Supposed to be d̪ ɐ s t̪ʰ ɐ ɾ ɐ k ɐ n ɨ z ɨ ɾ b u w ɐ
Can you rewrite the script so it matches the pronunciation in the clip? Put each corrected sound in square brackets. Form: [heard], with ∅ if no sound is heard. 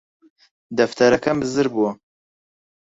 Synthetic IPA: d̪ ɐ [f] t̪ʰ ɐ ɾ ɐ k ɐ [m] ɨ z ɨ ɾ b u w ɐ